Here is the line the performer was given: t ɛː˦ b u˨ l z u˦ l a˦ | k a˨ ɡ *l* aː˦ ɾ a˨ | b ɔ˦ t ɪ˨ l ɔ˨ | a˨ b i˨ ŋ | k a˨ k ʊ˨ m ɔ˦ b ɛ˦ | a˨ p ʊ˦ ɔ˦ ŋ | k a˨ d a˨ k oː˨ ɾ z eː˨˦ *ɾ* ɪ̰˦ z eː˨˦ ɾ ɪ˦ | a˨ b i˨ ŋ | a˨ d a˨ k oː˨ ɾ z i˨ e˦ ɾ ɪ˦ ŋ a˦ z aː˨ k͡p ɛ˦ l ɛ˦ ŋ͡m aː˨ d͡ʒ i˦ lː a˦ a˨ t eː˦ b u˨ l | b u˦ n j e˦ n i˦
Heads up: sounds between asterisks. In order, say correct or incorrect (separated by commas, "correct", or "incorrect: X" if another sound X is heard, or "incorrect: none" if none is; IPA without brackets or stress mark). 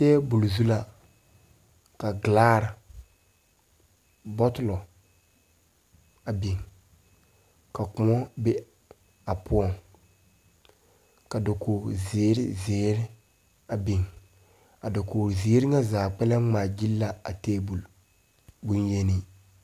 correct, correct